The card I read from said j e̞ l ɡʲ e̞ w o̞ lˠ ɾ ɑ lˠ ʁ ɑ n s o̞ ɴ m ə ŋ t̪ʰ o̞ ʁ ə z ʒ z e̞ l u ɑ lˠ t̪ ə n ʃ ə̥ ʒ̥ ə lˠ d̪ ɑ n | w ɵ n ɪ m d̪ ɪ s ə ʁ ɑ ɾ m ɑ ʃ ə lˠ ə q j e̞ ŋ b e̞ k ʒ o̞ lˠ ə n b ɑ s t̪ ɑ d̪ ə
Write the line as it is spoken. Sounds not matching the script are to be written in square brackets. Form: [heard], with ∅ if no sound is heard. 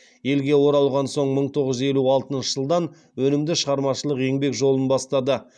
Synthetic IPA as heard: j e̞ l ɡʲ e̞ w o̞ [∅] ɾ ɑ lˠ ʁ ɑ n s o̞ ɴ m ə [ɴ] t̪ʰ o̞ ʁ ə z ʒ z e̞ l u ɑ lˠ t̪ ə n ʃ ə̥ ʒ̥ ə lˠ d̪ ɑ n | w ɵ n ɪ m d̪ ɪ [ʃ] ə ʁ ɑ ɾ m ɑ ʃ ə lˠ ə q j e̞ ŋ b e̞ k ʒ o̞ lˠ ə n b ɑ s t̪ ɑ d̪ ə